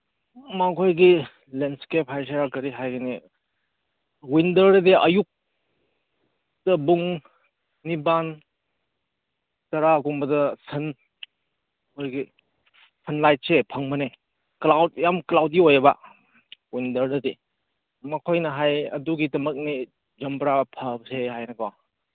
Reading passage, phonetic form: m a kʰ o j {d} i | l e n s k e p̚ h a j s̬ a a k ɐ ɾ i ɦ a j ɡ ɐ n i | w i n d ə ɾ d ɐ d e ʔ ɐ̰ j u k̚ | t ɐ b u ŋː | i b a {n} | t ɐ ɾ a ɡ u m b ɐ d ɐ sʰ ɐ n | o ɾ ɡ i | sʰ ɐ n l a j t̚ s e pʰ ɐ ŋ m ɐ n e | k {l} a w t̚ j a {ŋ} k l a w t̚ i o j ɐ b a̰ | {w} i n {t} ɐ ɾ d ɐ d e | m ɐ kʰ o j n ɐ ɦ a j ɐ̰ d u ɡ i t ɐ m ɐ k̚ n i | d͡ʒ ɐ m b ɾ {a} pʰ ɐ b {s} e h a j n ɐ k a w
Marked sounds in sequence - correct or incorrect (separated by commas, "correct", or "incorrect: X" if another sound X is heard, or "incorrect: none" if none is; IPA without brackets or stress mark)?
incorrect: ɡ, correct, correct, incorrect: m, correct, incorrect: d, correct, correct